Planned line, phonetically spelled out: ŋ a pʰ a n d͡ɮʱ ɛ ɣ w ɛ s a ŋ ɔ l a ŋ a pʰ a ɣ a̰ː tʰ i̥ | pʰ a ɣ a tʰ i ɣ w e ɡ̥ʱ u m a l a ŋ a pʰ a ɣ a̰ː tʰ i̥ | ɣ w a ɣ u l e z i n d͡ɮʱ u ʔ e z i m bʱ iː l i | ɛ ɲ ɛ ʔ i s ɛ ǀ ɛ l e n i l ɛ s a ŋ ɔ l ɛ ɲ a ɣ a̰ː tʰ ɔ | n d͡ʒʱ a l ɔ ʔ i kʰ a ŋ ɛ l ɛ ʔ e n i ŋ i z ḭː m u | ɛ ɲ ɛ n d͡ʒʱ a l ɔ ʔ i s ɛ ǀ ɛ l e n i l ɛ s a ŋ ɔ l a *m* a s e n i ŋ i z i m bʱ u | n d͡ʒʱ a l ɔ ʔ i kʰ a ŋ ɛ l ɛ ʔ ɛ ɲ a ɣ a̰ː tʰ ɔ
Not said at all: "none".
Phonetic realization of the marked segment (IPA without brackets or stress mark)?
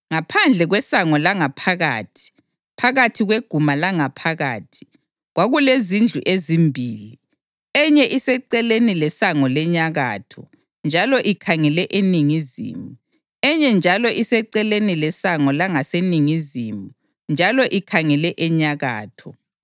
ŋ